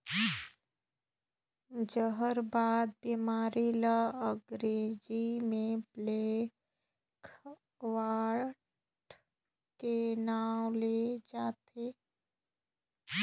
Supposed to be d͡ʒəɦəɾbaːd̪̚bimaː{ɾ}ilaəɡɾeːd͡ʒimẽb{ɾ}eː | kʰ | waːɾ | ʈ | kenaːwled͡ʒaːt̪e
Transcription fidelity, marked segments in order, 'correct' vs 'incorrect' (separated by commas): correct, incorrect